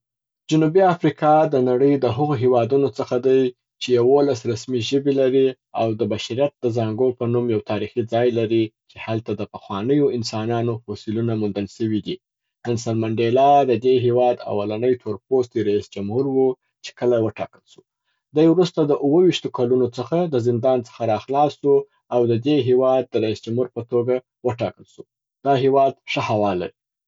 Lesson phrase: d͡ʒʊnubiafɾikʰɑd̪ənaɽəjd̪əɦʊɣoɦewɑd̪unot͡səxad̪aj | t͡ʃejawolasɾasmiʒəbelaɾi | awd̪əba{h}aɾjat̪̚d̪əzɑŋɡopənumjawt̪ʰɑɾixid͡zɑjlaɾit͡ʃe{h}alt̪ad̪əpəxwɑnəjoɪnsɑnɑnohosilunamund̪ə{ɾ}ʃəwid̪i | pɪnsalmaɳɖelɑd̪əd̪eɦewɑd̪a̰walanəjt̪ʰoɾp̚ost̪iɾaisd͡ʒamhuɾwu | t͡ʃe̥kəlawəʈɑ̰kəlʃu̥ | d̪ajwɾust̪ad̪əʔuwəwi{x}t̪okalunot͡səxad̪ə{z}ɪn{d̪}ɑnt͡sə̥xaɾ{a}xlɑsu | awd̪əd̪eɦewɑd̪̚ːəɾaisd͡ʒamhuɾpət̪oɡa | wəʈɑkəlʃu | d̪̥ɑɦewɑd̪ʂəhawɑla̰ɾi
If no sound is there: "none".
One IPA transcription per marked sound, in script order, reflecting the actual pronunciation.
ʃ, h, l, ʃ, z, d̪, ɑ

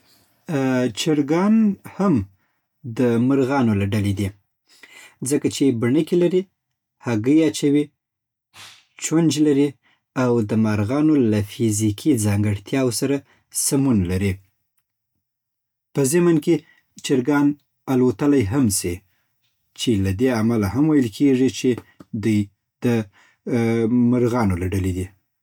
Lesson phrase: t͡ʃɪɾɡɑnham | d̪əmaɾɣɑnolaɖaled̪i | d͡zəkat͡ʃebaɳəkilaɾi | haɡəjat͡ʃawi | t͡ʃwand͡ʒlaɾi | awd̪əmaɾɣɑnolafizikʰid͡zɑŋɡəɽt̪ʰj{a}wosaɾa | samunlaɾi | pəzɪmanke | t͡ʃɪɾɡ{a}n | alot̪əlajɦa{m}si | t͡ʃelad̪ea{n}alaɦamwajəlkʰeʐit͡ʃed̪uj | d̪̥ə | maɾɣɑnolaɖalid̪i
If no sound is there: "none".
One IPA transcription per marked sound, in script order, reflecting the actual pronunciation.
ɑ, ɑ, m, m

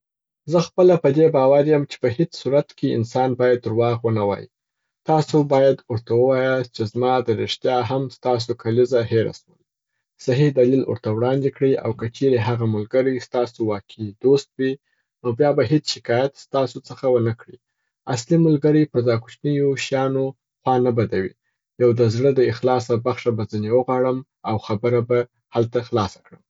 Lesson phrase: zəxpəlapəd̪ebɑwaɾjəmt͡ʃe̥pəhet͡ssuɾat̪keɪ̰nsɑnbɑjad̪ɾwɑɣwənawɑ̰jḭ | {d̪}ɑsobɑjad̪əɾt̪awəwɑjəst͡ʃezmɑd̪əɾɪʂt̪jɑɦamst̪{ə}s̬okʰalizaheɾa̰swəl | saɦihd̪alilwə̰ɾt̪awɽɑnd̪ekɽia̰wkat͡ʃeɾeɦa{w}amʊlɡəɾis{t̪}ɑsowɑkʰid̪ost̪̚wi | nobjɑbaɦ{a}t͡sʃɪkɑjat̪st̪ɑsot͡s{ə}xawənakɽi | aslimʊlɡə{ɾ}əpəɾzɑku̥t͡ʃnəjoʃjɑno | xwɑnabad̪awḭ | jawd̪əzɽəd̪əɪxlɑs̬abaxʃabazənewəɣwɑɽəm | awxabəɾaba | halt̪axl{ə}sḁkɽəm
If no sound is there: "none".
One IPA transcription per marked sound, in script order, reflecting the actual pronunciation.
t̪, ɑ, ɣ, t̪, e, ə, ɾ, ɑ

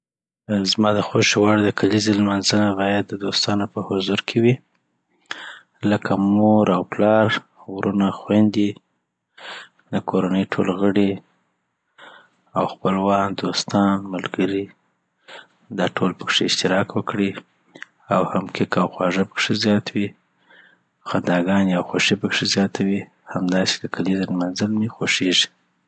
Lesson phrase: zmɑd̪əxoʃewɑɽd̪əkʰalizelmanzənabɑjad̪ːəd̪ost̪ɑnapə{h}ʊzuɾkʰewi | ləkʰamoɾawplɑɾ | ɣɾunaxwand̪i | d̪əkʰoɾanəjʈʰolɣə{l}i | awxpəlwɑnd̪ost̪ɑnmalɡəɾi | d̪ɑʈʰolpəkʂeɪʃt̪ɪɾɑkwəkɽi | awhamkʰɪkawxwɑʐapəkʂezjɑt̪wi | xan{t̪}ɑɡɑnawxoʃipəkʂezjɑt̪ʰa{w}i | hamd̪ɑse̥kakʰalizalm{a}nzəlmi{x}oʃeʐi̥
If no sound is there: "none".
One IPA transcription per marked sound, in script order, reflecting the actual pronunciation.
h, ɽ, d̪, w, a, x

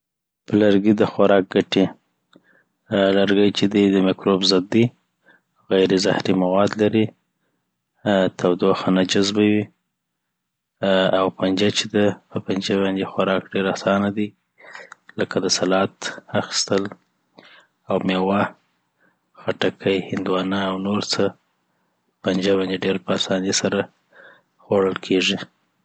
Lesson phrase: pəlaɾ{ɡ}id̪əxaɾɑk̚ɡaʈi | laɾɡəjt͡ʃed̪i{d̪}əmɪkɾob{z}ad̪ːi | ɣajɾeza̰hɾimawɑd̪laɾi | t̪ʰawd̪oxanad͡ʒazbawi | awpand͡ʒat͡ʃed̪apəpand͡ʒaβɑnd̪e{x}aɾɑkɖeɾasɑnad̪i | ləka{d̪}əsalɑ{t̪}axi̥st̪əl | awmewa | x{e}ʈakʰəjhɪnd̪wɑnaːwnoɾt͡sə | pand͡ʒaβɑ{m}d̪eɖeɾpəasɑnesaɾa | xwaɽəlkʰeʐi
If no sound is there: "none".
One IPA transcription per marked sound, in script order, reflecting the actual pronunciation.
ɡ, d̪, z, x, d̪, t̪, a, n

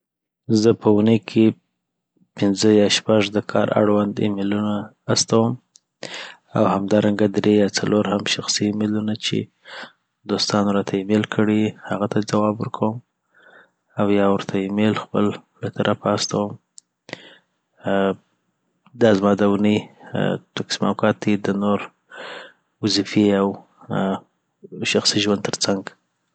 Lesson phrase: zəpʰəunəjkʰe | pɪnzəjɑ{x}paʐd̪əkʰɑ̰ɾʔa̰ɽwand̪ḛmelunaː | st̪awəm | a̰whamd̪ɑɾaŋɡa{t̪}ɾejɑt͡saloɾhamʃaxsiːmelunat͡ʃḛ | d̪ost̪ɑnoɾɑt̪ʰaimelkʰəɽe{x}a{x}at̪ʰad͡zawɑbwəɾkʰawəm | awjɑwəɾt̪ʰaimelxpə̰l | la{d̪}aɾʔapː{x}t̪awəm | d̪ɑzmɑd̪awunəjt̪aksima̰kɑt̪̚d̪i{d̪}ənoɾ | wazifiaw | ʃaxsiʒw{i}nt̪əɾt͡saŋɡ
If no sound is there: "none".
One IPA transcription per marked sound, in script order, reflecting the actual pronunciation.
ʃ, d̪, h, ɣ, t̪, s, d̪, a

